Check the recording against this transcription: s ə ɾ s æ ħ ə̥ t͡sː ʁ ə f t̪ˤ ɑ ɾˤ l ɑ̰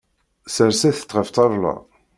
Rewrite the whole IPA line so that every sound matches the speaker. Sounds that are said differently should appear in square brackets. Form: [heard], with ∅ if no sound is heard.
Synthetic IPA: s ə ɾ s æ [θ] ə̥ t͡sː ʁ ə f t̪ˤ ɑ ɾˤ l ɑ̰